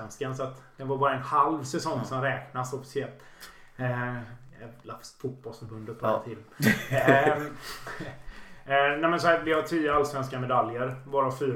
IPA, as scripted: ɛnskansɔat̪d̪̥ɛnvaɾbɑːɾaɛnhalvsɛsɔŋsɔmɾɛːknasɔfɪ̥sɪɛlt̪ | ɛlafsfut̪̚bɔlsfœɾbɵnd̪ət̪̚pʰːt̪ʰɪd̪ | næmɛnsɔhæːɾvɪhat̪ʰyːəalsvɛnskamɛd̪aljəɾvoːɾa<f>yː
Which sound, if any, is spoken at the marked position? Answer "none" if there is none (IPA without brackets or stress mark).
f